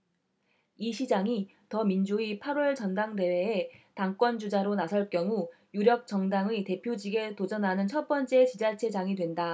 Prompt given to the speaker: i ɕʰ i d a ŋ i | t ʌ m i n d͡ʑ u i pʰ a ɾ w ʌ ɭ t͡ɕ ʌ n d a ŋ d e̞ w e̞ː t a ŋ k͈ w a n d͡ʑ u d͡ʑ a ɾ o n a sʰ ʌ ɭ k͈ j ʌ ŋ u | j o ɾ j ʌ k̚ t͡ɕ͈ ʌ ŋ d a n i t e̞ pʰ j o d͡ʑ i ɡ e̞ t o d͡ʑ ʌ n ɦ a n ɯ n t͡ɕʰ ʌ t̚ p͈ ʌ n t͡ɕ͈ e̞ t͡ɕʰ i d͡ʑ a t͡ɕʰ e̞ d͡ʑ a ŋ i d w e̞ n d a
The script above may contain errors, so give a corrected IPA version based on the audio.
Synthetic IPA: i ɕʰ i d͡ʑ a ŋ i | t ʌ m i n d͡ʑ u i pʰ a ɾ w ʌ ɭ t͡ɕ ʌ n d a ŋ d e̞ w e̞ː t a ŋ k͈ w ʌ n d͡ʑ u d͡ʑ a ɾ o n a sʰ ʌ ɭ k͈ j ʌ ŋ u | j u ɾ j ʌ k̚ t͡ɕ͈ ʌ ŋ d a ŋ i t e̞ pʰ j o d͡ʑ i ɡ e̞ t o d͡ʑ ʌ n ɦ a n ɯ n t͡ɕʰ ʌ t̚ p͈ ʌ n t͡ɕ͈ e̞ t͡ɕ i d͡ʑ a t͡ɕʰ e̞ d͡ʑ a ŋ i d w e̞ n d a